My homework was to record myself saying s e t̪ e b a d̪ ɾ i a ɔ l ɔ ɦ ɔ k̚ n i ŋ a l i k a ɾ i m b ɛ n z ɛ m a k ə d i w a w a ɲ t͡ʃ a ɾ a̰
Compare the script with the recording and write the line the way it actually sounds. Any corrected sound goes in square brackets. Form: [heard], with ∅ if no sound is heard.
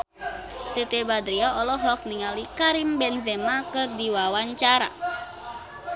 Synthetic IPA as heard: s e t̪ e b a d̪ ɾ i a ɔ l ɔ ɦ ɔ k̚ n i ŋ a l i k a ɾ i m b ɛ n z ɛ m a k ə d i w a w a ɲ t͡ʃ a ɾ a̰